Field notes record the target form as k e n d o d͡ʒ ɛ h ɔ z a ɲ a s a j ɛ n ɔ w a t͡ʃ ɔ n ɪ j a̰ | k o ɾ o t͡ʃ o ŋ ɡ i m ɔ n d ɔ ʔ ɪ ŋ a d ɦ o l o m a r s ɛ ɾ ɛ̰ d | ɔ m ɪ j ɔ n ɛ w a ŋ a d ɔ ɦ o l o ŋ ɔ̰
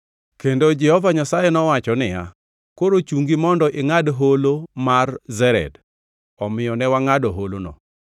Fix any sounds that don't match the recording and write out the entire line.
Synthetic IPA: k e n d o d͡ʒ ɛ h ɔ v a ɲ a s a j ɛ n ɔ w a t͡ʃ ɔ n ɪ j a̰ | k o ɾ o t͡ʃ u ŋ ɡ i m ɔ n d ɔ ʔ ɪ ŋ a d ɦ o l o m a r z ɛ ɾ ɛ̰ d | ɔ m ɪ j ɔ n ɛ w a ŋ a d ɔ ɦ o l o n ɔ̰